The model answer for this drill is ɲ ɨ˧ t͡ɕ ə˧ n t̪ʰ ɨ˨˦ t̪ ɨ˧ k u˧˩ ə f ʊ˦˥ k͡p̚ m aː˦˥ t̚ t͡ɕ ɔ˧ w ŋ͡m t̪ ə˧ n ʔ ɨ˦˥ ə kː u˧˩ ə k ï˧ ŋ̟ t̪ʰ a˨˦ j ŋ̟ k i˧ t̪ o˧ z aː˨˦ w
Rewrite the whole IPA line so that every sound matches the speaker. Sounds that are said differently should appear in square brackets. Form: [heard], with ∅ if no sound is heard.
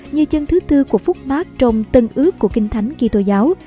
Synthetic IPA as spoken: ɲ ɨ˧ t͡ɕ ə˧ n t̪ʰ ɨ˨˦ t̪ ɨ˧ k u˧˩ ə f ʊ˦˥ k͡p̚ m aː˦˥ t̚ t͡ɕ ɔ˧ w ŋ͡m t̪ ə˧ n ʔ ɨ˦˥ ə kː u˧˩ ə k ï˧ ŋ̟ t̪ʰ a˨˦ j ŋ̟ k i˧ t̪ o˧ z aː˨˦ w